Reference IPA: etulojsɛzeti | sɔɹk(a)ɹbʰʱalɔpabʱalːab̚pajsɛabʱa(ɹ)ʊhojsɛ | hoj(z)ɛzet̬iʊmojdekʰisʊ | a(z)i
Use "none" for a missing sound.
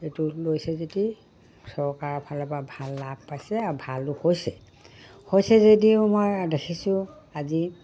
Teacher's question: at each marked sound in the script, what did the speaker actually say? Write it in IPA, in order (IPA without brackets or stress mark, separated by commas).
a, l, s, z